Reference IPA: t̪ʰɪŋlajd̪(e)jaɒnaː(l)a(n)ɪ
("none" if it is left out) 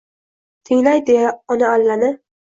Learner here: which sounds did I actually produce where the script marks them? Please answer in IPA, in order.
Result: e, lː, n

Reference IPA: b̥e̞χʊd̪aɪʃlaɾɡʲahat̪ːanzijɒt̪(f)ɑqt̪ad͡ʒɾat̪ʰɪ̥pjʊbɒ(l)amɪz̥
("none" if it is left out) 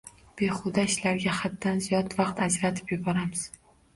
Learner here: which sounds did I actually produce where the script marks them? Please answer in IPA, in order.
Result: v, ɾ

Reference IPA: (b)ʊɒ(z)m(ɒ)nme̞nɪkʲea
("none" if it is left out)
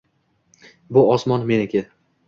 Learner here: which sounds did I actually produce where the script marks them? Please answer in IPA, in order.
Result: b, s, ɒ

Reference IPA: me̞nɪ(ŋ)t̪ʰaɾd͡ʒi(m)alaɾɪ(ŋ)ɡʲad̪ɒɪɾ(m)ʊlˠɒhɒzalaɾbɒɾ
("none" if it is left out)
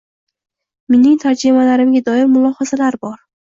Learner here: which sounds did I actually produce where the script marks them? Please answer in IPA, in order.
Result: ŋ, m, m, m

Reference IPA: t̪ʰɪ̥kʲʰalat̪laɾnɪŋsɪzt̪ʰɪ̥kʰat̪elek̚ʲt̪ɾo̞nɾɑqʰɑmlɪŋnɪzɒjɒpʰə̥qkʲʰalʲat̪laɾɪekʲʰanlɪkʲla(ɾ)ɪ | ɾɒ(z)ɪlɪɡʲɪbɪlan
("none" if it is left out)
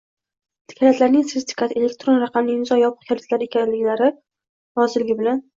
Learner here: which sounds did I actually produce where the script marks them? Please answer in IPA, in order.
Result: ɾ, z

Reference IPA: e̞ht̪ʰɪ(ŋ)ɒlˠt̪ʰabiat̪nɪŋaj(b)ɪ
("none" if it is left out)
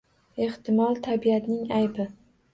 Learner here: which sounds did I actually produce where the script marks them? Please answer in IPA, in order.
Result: m, b

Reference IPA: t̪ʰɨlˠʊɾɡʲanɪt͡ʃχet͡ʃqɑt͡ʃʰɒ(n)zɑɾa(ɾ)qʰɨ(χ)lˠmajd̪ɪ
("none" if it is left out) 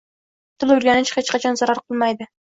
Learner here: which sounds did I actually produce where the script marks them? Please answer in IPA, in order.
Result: n, ɾ, none

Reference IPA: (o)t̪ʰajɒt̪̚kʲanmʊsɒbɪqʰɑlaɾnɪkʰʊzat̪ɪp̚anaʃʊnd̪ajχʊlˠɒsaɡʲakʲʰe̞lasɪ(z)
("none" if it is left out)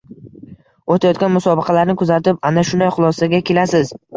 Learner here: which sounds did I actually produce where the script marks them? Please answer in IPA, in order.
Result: o, z

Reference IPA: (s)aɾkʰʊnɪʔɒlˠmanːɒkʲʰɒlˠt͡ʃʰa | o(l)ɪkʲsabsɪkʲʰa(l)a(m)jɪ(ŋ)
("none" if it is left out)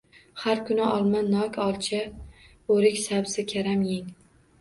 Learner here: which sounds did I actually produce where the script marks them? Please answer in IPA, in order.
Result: h, ɾ, ɾ, m, ŋ

